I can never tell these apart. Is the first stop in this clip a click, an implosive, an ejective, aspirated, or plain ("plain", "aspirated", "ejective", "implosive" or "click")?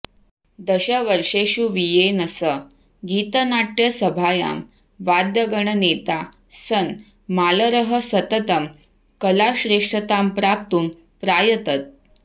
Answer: plain